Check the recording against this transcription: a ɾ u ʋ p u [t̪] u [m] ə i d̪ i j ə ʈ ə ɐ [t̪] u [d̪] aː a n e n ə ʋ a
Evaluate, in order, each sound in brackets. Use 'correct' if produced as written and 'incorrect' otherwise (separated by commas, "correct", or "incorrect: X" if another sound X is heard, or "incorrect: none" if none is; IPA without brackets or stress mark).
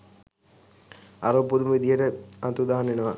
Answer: incorrect: d̪, correct, correct, correct